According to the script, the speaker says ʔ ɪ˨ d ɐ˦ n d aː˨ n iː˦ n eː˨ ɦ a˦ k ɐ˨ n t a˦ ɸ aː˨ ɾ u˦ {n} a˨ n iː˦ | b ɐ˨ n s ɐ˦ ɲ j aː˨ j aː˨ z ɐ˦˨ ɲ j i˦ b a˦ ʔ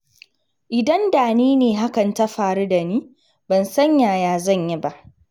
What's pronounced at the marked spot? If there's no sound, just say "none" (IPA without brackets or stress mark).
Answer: d